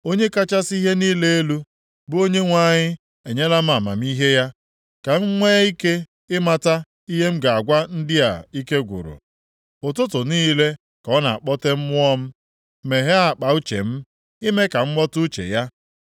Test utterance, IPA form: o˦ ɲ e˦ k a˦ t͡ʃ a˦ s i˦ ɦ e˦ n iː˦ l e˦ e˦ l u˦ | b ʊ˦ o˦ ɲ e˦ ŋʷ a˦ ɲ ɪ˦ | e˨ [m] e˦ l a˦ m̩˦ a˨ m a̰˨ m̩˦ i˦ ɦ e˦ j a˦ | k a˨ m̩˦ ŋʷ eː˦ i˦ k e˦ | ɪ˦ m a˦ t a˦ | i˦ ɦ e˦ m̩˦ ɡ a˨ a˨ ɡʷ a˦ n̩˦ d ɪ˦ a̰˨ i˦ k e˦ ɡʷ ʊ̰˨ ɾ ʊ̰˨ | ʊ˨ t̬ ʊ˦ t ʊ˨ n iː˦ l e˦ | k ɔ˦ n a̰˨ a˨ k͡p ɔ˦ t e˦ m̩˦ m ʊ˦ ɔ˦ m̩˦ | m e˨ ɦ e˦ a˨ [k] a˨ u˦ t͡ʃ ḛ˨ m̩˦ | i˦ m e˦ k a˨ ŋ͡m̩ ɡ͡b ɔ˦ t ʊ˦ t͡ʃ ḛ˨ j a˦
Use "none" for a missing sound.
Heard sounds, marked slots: ɲ, k͡p

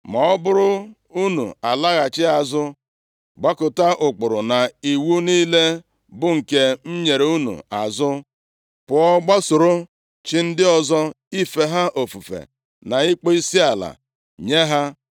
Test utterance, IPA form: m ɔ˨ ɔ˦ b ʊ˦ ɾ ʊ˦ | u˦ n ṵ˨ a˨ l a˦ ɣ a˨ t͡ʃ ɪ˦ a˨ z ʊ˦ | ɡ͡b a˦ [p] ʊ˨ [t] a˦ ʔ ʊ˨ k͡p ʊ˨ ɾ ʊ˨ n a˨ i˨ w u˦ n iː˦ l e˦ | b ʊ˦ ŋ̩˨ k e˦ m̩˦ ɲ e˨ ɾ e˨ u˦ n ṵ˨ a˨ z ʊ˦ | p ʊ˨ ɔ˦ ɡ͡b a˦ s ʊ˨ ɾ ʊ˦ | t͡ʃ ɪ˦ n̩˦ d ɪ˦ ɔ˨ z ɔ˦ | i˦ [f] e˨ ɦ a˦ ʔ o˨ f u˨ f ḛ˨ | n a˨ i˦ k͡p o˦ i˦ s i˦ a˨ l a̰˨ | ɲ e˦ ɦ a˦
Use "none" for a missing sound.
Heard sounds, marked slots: k, t, f

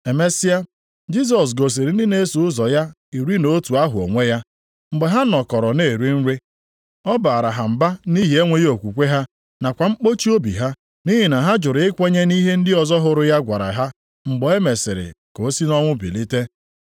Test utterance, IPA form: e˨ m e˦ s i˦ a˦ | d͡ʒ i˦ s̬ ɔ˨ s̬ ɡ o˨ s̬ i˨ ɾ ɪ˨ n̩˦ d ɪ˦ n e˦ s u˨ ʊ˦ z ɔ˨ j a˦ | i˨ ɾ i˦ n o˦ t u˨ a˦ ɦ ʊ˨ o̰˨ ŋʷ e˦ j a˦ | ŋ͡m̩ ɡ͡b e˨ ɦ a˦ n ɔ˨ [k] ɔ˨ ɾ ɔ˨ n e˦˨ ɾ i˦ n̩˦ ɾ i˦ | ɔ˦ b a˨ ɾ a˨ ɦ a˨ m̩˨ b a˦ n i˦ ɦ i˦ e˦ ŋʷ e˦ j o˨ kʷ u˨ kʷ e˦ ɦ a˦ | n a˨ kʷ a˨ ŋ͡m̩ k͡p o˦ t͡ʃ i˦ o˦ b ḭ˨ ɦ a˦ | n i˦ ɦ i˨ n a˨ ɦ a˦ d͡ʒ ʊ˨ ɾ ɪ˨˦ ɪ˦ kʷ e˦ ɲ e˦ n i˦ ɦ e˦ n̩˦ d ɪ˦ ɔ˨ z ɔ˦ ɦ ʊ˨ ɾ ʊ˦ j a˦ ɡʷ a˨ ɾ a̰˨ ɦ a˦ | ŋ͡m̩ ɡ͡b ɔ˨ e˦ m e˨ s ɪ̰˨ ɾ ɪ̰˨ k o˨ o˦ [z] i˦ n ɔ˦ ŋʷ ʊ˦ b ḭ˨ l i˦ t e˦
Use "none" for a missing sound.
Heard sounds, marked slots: k, s

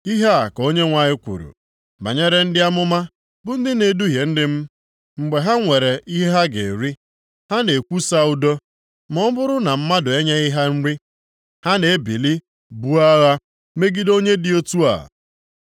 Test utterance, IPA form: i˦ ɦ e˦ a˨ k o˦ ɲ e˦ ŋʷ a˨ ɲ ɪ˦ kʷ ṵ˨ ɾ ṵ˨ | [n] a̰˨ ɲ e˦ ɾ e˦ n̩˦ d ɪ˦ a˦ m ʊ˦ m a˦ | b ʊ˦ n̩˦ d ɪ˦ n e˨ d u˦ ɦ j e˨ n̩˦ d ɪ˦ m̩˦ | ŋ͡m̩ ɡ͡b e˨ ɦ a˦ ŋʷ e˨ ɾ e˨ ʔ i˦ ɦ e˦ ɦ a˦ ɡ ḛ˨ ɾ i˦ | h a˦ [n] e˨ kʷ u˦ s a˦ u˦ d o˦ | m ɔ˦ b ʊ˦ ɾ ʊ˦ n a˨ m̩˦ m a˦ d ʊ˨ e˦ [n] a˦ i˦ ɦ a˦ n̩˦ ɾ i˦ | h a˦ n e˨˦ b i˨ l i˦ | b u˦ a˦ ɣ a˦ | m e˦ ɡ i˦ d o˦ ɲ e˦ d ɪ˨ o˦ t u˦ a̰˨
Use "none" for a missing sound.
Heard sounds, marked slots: m, n, ɲ

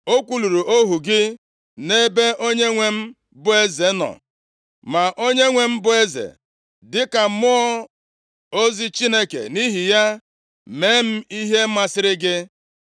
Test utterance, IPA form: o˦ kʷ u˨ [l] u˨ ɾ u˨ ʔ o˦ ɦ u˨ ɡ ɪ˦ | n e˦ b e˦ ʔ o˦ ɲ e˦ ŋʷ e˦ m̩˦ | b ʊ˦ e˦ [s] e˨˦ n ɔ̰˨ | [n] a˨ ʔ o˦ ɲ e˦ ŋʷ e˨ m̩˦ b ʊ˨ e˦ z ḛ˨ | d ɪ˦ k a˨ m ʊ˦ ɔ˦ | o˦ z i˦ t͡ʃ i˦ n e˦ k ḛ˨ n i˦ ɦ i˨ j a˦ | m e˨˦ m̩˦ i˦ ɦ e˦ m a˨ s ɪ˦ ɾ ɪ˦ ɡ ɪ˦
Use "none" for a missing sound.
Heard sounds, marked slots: l, z, m

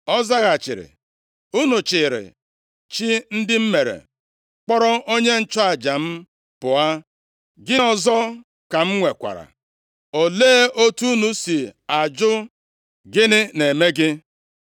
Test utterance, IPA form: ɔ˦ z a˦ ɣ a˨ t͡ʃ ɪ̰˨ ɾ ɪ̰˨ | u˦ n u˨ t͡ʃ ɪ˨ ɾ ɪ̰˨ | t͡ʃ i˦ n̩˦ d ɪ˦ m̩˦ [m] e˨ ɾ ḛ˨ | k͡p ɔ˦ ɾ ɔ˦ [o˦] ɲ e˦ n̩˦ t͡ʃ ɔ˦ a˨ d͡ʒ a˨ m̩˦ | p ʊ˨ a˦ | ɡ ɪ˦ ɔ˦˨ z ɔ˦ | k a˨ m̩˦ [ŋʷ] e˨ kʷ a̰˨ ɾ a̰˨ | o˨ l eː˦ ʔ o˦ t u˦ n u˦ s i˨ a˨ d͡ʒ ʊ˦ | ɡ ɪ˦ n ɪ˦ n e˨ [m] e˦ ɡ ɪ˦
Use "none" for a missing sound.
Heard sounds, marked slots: m, o˦, ŋʷ, m

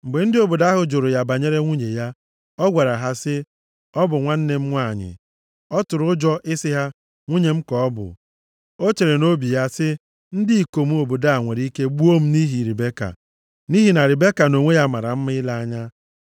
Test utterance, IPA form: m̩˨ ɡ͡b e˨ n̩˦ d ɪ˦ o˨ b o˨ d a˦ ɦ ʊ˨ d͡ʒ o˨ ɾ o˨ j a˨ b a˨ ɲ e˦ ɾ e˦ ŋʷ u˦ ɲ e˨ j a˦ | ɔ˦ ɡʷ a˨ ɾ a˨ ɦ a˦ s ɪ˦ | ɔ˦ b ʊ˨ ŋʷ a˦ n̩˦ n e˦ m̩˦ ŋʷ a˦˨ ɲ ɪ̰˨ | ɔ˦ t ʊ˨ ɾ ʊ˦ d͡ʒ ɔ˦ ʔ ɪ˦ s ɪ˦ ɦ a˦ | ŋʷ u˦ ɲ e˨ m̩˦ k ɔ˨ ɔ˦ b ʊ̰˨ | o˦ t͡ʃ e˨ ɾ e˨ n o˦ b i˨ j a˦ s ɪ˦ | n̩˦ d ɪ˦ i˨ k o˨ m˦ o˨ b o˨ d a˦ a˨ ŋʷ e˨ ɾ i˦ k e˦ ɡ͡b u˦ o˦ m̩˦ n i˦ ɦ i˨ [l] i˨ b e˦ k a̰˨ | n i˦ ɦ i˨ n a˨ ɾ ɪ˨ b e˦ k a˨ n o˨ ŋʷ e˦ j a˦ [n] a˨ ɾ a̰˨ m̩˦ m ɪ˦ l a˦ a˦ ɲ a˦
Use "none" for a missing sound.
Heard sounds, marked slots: ɾ, m

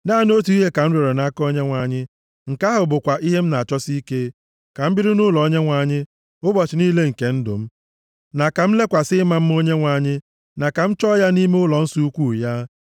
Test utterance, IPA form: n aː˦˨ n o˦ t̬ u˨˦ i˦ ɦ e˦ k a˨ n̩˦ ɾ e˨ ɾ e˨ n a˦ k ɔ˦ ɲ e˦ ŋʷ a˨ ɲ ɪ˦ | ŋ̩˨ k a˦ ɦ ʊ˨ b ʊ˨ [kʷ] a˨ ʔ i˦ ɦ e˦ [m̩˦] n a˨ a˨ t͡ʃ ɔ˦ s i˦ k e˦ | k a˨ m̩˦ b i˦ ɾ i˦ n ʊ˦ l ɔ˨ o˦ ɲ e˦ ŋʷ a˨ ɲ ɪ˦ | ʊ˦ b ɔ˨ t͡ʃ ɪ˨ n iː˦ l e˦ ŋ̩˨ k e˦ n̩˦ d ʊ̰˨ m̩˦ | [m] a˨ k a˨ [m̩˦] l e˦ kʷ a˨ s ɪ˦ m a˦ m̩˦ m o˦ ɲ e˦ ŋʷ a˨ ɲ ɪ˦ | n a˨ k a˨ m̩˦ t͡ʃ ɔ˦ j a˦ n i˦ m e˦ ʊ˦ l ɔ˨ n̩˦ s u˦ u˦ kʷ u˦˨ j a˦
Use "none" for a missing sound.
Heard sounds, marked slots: kʷ, m̩˦, n, m̩˦

